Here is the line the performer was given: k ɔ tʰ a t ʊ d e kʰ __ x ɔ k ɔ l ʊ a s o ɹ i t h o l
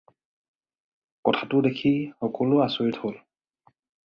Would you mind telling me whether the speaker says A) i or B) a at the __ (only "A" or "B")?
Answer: A